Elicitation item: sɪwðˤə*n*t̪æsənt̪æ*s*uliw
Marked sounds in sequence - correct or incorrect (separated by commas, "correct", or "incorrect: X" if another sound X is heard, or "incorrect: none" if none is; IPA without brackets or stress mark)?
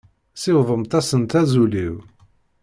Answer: incorrect: m, incorrect: z